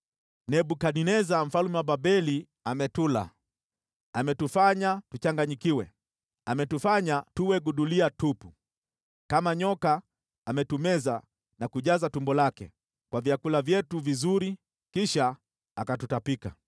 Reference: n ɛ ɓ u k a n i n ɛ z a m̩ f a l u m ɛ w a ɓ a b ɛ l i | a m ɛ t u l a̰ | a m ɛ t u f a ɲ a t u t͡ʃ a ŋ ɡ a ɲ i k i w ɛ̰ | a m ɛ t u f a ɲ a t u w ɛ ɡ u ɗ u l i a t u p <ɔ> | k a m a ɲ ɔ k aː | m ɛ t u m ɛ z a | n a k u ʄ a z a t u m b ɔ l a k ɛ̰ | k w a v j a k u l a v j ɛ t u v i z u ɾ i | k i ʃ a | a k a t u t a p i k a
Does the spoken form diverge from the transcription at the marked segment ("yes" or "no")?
yes